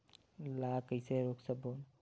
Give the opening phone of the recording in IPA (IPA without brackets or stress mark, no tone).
l